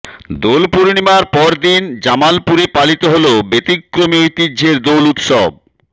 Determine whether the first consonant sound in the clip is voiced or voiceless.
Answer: voiced